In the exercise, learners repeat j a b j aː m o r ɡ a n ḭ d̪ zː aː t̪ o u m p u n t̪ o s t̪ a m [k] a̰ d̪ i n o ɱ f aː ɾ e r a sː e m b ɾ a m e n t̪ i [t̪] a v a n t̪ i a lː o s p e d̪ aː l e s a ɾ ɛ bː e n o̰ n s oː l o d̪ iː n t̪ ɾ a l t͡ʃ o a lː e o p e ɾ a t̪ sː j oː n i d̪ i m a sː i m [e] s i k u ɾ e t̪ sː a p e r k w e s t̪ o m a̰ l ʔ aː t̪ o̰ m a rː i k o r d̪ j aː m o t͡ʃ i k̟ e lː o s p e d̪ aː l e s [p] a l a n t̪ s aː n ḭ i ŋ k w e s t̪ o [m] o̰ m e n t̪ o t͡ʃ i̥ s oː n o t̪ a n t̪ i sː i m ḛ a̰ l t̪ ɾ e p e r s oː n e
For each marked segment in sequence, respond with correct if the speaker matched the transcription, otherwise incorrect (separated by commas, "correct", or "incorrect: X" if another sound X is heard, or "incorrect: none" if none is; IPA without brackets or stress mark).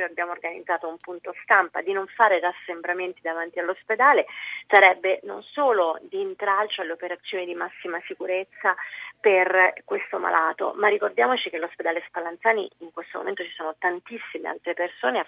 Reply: incorrect: p, incorrect: d̪, incorrect: a, correct, correct